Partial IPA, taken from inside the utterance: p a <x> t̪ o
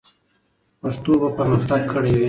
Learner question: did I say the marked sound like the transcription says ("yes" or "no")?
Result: no